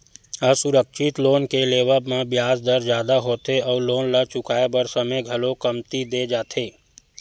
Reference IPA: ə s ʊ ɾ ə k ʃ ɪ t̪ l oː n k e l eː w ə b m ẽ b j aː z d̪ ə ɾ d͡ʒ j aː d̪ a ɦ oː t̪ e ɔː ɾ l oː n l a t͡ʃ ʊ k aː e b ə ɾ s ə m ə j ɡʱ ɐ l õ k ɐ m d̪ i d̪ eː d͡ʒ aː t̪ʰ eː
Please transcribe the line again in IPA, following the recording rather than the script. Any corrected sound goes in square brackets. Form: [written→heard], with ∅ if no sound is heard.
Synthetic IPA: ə s ʊ ɾ ə k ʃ ɪ t̪ l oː n k e l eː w ə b m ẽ b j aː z d̪ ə ɾ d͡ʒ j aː d̪ a ɦ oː t̪ e ɔː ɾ l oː n l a t͡ʃ ʊ k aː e b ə ɾ s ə m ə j ɡʱ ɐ l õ k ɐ m [d̪→t̪] i d̪ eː d͡ʒ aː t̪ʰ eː